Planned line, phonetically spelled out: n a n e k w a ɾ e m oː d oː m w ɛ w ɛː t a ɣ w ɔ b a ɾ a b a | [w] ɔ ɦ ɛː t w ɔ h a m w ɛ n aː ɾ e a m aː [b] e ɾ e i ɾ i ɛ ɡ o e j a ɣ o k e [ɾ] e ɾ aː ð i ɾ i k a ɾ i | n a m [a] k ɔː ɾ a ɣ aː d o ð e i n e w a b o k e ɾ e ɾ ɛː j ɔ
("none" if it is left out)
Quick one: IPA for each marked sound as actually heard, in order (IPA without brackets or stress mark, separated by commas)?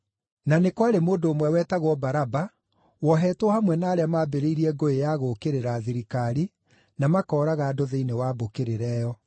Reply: w, b, ɾ, a